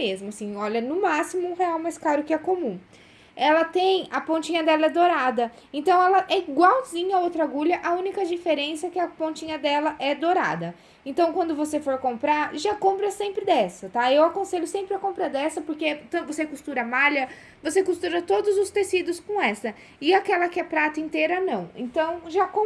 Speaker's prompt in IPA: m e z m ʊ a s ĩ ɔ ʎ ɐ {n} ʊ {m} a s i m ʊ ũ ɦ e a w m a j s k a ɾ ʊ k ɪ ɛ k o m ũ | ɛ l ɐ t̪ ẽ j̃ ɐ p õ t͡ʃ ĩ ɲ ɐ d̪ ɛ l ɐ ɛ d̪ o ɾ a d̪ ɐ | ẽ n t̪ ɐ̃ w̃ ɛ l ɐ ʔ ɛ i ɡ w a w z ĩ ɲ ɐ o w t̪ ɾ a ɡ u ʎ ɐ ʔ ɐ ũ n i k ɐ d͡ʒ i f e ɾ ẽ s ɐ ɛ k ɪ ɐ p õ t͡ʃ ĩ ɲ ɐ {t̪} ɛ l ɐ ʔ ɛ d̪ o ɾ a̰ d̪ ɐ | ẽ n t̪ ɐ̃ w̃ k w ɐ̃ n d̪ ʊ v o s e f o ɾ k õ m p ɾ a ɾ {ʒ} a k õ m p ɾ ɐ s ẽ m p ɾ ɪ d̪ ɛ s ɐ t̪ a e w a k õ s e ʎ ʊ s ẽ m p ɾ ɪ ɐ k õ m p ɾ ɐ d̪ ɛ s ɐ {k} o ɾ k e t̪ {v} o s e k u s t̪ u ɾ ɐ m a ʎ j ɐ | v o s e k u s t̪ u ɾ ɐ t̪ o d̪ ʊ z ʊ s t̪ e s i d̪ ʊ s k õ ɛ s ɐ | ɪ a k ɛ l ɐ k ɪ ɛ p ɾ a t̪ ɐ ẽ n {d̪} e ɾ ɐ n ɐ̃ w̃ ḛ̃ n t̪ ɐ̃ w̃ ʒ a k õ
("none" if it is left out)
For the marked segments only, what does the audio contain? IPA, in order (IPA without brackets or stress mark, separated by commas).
n, m, d̪, ʒ, p, v, t̪